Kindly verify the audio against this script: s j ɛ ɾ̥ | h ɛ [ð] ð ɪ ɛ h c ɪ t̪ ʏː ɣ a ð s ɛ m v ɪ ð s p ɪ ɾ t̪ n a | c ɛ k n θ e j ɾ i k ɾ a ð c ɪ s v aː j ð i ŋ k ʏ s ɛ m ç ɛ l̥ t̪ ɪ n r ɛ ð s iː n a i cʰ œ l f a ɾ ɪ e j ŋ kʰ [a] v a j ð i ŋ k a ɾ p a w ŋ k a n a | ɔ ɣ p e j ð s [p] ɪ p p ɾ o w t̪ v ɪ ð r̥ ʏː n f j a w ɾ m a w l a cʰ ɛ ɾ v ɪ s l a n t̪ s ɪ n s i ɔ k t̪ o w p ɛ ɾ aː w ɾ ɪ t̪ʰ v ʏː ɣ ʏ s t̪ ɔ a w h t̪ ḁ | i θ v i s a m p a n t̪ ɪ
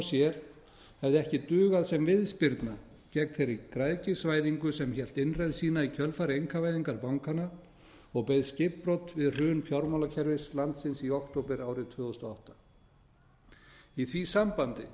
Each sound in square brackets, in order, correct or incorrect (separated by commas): incorrect, correct, incorrect